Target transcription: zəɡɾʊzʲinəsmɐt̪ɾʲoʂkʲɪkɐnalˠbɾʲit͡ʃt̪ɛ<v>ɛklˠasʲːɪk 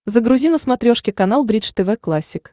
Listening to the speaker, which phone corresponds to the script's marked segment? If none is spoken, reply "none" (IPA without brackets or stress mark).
v